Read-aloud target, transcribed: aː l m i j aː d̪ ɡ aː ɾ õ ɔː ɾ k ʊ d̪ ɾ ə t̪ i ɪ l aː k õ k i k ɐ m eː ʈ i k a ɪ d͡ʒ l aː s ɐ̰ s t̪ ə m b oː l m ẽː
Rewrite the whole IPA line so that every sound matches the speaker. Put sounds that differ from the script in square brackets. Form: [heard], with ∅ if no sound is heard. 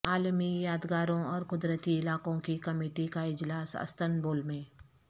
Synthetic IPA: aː l m i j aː d̪ ɡ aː ɾ õ ɔː ɾ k ʊ d̪ ɾ ə t̪ i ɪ l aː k õ k i k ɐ m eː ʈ i k a ɪ d͡ʒ l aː s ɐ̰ s t̪ ə [n] b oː l m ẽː